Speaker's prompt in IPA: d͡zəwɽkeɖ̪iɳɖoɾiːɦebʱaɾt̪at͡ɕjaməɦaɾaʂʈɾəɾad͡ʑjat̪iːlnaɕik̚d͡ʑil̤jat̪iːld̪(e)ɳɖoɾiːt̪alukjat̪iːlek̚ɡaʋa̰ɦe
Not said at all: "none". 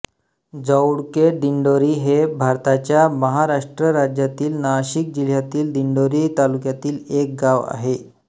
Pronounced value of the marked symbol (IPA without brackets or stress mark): i